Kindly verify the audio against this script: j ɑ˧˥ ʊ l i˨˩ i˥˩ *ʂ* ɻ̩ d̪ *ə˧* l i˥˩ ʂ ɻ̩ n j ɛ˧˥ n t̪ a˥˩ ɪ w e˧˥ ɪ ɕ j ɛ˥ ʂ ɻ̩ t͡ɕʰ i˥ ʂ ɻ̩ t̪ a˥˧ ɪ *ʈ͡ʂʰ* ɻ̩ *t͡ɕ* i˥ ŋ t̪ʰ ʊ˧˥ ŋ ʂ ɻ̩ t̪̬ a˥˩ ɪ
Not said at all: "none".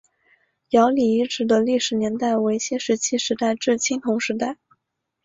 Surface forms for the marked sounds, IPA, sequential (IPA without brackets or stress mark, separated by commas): ʈ͡ʂ, ə˧, ʈ͡ʂ, t͡ɕʰ